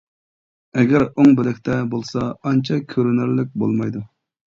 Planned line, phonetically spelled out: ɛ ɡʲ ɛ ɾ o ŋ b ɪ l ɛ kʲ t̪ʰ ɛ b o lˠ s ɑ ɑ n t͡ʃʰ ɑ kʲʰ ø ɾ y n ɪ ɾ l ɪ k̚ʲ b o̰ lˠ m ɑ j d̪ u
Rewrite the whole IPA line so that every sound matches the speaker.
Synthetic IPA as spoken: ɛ ɡʲ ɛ ɾ o ŋ b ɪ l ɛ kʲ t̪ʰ ɛ b o lˠ s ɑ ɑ n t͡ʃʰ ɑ kʲʰ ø ɾ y n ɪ ɾ l ɪ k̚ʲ b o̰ lˠ m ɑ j d̪ u